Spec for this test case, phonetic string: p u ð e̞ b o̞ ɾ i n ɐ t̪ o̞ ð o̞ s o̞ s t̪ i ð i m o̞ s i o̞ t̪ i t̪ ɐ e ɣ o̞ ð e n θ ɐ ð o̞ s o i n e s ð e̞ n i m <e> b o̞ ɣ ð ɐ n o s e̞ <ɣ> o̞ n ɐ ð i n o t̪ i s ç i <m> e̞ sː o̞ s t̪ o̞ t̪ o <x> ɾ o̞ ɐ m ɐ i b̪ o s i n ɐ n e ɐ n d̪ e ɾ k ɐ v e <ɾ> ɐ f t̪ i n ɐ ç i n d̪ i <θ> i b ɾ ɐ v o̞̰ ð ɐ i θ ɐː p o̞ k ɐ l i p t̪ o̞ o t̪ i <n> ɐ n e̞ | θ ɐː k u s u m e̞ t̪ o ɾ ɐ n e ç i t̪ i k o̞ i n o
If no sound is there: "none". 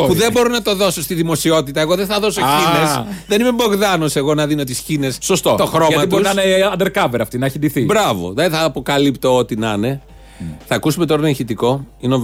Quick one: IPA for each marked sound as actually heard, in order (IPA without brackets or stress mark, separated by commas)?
e, ɣ, n, x, ɾ, θ, n